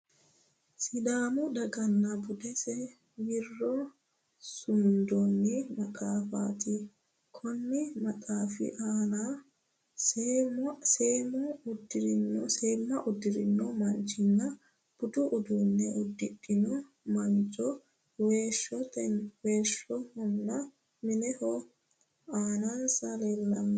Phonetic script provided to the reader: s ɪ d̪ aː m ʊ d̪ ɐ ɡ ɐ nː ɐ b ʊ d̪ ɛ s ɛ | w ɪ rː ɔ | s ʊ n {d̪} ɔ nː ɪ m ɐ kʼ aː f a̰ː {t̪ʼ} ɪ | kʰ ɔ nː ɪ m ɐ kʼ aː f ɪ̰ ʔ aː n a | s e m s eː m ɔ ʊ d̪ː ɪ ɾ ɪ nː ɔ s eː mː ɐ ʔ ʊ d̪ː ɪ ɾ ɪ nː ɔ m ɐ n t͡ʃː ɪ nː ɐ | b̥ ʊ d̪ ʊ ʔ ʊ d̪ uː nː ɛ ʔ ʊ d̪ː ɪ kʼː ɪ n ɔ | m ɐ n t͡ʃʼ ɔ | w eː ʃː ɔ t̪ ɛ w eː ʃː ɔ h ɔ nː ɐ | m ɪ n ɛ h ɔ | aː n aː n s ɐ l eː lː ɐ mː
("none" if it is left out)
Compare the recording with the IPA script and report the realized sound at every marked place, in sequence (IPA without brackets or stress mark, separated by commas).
d̪, t̪